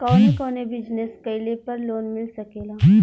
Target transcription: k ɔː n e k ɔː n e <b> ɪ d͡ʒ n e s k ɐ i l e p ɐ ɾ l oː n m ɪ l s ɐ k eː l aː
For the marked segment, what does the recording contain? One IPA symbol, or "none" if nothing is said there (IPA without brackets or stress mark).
b